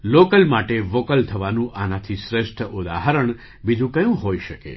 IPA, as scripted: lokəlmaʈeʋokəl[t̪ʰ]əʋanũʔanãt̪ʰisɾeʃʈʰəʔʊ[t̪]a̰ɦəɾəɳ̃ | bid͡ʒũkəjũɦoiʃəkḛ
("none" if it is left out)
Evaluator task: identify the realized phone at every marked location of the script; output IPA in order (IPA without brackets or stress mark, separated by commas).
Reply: t̪ʰ, d̪